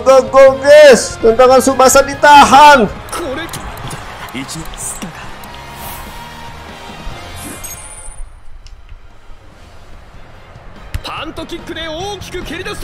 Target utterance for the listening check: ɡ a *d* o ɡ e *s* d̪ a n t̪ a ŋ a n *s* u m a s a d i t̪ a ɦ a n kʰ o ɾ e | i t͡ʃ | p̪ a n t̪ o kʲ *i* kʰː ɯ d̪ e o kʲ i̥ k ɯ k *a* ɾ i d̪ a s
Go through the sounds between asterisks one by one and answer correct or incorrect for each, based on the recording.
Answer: incorrect: ɡ, correct, correct, correct, incorrect: e

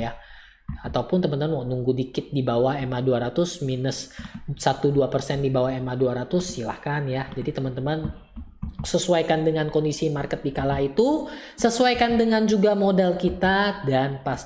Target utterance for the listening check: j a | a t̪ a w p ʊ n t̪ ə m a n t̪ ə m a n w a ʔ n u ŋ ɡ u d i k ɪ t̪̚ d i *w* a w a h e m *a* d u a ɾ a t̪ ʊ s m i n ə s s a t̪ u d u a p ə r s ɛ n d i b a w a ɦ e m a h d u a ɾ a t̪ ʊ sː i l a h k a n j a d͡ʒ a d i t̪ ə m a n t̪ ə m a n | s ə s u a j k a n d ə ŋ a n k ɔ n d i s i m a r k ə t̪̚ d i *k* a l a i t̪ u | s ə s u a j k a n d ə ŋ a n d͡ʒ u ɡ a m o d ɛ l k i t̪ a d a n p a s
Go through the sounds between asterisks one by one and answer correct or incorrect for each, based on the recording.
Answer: incorrect: b, correct, correct

